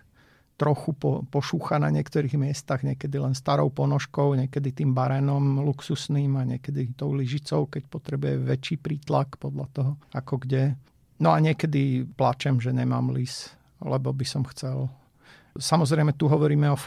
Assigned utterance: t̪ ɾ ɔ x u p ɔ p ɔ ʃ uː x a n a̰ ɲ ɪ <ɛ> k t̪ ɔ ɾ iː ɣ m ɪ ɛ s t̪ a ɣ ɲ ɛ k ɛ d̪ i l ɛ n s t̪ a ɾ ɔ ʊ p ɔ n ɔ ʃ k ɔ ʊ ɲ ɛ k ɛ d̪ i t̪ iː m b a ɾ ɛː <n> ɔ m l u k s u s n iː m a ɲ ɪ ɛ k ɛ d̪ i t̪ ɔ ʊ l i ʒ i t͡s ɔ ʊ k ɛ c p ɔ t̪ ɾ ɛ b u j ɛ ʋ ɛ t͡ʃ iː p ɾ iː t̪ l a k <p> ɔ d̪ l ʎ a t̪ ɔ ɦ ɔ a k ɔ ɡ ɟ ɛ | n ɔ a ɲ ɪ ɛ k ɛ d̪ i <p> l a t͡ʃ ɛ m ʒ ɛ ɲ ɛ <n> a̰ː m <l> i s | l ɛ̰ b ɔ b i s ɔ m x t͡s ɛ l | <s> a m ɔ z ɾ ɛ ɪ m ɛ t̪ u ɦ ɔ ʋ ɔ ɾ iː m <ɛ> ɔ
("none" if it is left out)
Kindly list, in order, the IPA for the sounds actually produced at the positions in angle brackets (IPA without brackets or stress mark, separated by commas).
ɛ, n, p, p, m, l, s, ɛ